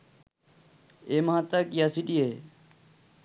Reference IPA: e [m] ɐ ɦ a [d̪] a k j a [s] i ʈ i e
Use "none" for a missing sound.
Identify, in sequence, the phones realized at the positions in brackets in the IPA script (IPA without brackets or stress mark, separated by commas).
m, t̪, s